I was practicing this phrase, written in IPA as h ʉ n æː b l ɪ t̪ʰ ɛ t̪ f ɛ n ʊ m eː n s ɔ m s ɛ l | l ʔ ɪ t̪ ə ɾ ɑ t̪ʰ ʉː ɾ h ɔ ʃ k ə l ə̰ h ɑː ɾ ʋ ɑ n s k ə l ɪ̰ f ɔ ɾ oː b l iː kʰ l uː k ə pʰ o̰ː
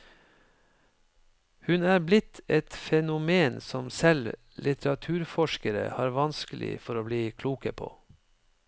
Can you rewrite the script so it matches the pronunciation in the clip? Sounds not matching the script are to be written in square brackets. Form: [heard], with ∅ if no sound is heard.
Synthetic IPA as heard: h ʉ n æː b l ɪ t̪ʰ ɛ t̪ f ɛ n ʊ m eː n s ɔ m s ɛ l | l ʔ ɪ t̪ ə ɾ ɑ t̪ʰ ʉː ɾ [f] ɔ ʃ k ə [ɾ] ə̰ h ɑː ɾ ʋ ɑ n s k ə l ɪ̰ f ɔ ɾ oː b l iː kʰ l uː k ə pʰ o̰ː